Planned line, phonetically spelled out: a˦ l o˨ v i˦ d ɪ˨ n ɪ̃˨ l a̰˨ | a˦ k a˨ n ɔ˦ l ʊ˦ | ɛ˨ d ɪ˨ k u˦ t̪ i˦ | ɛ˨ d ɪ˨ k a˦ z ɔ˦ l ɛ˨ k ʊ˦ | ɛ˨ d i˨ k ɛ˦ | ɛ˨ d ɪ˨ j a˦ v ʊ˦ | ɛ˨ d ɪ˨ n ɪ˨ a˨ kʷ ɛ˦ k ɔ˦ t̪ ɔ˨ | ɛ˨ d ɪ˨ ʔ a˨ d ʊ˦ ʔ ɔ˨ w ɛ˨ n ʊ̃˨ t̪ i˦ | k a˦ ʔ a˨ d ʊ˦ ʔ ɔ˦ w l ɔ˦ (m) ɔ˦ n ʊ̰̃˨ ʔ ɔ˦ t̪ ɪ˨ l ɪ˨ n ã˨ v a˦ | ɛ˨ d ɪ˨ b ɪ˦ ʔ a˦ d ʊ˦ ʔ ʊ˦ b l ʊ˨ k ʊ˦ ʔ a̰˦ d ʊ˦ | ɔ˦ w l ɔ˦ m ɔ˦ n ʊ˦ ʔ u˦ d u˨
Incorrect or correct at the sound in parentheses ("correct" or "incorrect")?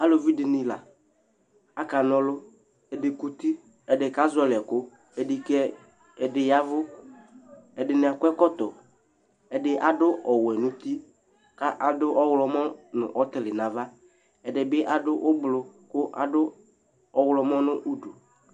correct